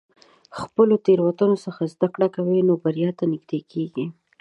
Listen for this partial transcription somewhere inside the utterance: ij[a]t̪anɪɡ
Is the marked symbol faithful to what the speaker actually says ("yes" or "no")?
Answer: no